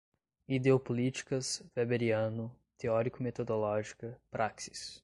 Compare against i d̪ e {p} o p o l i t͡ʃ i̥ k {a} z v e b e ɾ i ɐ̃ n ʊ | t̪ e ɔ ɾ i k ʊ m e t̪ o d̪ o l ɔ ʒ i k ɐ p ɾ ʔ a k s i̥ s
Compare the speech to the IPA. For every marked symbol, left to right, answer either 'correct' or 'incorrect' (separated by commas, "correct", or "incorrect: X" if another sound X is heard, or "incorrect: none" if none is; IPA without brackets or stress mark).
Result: incorrect: none, incorrect: ɐ